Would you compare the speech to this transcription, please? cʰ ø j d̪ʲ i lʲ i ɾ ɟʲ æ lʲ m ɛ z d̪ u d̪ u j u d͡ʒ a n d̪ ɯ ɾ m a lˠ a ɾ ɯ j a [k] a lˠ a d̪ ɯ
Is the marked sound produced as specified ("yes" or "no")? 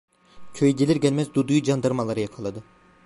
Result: no